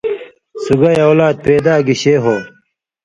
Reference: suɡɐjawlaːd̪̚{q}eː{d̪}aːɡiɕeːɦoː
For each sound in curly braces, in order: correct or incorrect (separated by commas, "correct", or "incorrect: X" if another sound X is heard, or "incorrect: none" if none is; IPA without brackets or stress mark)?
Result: incorrect: p, correct